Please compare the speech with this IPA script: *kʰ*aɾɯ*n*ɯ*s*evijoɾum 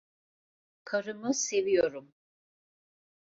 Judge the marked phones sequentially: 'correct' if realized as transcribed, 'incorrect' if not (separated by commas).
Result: correct, incorrect, correct